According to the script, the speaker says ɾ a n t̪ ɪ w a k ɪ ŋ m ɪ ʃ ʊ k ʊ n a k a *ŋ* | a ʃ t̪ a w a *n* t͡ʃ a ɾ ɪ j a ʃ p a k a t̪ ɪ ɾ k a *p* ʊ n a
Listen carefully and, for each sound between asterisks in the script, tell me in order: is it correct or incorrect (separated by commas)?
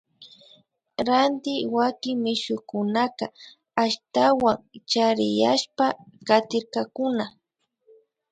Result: incorrect, incorrect, incorrect